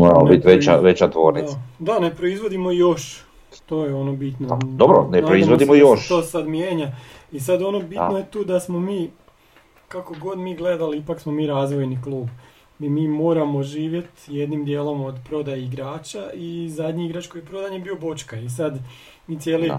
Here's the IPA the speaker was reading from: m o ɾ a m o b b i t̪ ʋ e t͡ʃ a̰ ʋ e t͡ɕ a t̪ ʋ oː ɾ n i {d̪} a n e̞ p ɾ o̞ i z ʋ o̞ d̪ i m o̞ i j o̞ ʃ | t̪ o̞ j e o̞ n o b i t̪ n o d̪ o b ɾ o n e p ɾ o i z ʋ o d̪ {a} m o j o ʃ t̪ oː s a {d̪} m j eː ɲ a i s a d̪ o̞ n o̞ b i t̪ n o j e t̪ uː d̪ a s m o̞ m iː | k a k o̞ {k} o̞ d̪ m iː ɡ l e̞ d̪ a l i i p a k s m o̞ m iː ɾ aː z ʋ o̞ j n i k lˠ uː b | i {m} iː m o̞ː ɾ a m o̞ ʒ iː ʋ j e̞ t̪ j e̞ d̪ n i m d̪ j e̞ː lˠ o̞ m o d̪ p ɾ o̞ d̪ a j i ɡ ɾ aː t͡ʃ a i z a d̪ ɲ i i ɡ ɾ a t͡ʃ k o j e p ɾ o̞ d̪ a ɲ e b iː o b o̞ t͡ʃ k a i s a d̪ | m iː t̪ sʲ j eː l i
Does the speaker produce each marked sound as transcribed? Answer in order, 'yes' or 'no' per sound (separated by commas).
yes, no, yes, no, yes